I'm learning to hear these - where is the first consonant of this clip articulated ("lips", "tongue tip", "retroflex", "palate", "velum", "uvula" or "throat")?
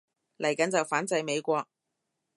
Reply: tongue tip